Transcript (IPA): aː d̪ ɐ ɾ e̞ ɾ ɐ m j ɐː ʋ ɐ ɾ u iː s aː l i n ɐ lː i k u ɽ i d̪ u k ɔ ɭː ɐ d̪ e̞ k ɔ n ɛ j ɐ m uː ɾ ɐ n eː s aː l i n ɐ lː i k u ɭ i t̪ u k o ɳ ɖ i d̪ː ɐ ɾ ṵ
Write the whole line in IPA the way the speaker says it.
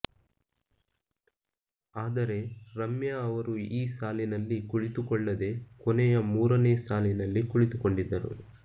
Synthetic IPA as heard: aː d̪ ɐ ɾ e̞ ɾ ɐ m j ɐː ʋ ɐ ɾ u iː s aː l i n ɐ lː i k u ɭ i t̪ u k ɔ ɭː ɐ d̪ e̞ k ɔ n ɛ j ɐ m uː ɾ ɐ n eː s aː l i n ɐ lː i k u ɭ i t̪ u k o ɳ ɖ i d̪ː ɐ ɾ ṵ

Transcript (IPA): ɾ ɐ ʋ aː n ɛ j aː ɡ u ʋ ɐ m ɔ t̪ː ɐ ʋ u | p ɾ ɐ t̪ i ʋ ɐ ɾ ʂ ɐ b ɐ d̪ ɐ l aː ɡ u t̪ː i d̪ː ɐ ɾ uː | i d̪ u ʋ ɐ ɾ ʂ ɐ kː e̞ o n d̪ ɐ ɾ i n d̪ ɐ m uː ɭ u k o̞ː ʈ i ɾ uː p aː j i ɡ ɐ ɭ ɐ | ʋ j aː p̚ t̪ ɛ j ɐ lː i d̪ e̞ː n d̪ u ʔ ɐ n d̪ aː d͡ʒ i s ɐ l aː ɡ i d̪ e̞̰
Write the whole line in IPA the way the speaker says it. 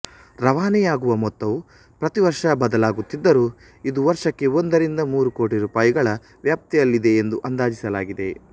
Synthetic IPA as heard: ɾ ɐ ʋ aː n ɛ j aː ɡ u ʋ ɐ m ɔ t̪ː ɐ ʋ u | p ɾ ɐ t̪ i ʋ ɐ ɾ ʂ ɐ b ɐ d̪ ɐ l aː ɡ u t̪ː i d̪ː ɐ ɾ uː | i d̪ u ʋ ɐ ɾ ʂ ɐ kː e̞ o n d̪ ɐ ɾ i n d̪ ɐ m uː ɾ u k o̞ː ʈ i ɾ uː p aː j i ɡ ɐ ɭ ɐ | ʋ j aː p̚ t̪ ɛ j ɐ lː i d̪ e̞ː n d̪ u ʔ ɐ n d̪ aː d͡ʒ i s ɐ l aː ɡ i d̪ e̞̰

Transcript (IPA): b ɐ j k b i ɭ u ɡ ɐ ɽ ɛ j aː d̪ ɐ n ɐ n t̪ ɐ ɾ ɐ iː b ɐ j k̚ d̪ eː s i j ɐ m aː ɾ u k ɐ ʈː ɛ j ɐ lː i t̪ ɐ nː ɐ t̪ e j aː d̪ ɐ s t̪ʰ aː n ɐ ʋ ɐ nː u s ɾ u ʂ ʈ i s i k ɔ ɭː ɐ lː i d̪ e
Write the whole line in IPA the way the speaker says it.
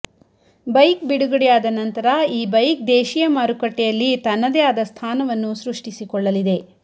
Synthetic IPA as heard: b ɐ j k b i ɽ u ɡ ɐ ɽ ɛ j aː d̪ ɐ n ɐ n t̪ ɐ ɾ ɐ iː b ɐ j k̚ d̪ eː ʃ i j ɐ m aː ɾ u k ɐ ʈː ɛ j ɐ lː i t̪ ɐ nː ɐ d̪ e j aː d̪ ɐ s t̪ʰ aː n ɐ ʋ ɐ nː u s ɾ u ʂ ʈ i s i k ɔ ɭː ɐ l i d̪ e

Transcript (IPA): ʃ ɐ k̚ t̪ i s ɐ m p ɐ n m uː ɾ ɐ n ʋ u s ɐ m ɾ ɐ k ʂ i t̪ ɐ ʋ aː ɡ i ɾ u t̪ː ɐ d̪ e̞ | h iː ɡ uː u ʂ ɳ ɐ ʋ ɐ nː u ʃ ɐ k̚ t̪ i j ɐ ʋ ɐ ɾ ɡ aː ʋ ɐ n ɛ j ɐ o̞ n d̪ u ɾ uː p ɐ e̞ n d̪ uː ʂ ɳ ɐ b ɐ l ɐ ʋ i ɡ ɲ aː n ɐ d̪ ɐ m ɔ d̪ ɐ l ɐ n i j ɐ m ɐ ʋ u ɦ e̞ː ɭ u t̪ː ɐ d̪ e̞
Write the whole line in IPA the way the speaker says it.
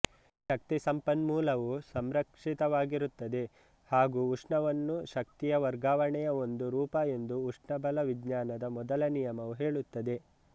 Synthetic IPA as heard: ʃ ɐ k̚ t̪ i s ɐ m p ɐ n m uː l ɐ ʋ u s ɐ m ɾ ɐ k ʂ i t̪ ɐ ʋ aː ɡ i ɾ u t̪ː ɐ d̪ e̞ | h aː ɡ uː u ʂ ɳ ɐ ʋ ɐ nː u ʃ ɐ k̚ t̪ i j ɐ ʋ ɐ ɾ ɡ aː ʋ ɐ ɳ ɛ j ɐ o̞ n d̪ u ɾ uː p ɐ e̞ n d̪ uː ʂ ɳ ɐ b ɐ l ɐ ʋ i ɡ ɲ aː n ɐ d̪ ɐ m ɔ d̪ ɐ l ɐ n i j ɐ m ɐ ʋ u ɦ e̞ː ɭ u t̪ː ɐ d̪ e̞

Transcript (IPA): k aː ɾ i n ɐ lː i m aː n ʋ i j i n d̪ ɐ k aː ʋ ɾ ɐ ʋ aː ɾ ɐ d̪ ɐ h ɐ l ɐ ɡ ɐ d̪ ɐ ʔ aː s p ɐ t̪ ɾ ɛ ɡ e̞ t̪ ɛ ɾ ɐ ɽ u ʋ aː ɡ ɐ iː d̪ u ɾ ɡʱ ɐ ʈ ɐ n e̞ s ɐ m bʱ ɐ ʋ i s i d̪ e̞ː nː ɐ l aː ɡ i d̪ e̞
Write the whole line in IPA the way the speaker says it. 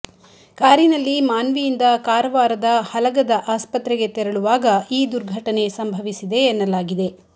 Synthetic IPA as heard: k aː ɾ i n ɐ lː i m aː n ʋ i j i n d̪ ɐ k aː ɾ ɐ ʋ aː ɾ ɐ d̪ ɐ h ɐ l ɐ ɡ ɐ d̪ ɐ ʔ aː s p ɐ t̪ ɾ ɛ ɡ e̞ t̪ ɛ ɾ ɐ ɭ u ʋ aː ɡ ɐ iː d̪ u ɾ ɡʱ ɐ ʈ ɐ n e̞ s ɐ m bʱ ɐ ʋ i s i d̪ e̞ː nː ɐ l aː ɡ i d̪ e̞

